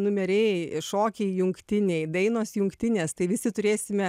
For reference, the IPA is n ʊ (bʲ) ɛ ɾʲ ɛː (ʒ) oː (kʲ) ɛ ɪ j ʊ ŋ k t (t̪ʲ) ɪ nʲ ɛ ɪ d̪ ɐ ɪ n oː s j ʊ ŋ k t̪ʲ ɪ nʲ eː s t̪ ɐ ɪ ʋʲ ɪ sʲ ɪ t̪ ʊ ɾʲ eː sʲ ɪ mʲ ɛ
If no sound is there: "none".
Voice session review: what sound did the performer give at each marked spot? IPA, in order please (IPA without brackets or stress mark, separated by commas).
mʲ, ʃ, kʲ, t̪ʲ